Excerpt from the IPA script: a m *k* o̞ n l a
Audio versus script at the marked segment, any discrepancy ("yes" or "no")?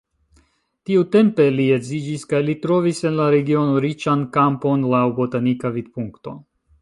yes